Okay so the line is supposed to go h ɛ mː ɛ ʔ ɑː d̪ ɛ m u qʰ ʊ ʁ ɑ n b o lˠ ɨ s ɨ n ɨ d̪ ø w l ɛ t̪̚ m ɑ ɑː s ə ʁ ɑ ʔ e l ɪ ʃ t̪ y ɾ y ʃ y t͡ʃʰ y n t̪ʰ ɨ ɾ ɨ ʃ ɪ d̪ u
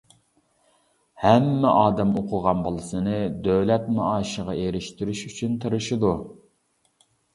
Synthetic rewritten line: h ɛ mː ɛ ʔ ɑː d̪ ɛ m o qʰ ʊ ʁ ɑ n b o lˠ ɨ s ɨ n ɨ d̪ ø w l ɛ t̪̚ m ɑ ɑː ʃ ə ʁ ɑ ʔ e ɾ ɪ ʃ t̪ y ɾ y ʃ y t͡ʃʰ y n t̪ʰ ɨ ɾ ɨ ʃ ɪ d̪ u